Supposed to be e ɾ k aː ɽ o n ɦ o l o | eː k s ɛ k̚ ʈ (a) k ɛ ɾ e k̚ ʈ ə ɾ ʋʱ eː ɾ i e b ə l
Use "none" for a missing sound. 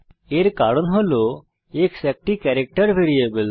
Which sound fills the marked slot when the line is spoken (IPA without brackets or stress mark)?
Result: i